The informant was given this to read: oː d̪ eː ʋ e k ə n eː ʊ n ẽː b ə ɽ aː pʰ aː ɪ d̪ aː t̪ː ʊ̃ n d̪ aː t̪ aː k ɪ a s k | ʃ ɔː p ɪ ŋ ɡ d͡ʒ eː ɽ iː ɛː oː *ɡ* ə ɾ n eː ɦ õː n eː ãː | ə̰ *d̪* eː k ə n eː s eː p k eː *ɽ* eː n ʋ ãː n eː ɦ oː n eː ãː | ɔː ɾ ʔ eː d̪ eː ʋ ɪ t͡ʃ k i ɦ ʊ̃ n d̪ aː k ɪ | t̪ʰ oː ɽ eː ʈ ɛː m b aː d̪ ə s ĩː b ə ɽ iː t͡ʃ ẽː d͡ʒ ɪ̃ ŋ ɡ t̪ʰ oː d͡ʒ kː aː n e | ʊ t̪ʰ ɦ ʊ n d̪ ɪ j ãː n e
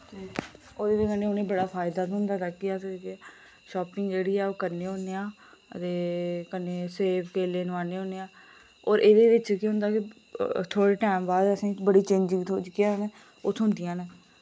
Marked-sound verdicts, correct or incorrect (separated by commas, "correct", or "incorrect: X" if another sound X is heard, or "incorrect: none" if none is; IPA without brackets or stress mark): incorrect: k, incorrect: t̪, incorrect: l